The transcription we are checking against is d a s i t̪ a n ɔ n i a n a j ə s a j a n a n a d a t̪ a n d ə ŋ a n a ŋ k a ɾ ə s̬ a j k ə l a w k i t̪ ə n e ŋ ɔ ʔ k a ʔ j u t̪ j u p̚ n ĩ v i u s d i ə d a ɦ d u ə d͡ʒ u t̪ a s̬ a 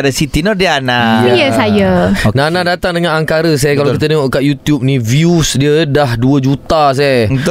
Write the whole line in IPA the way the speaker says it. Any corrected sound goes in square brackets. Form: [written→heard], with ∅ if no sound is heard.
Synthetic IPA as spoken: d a s i t̪ [a→i] n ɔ [n→d] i a n a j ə s a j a n a n a d a t̪ a [n→ŋ] d ə ŋ a n a ŋ k a ɾ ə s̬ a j k [ə→a] l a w k i t̪ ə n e ŋ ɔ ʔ k a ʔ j u t̪ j u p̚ n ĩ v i u s d i ə d a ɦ d u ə d͡ʒ u t̪ a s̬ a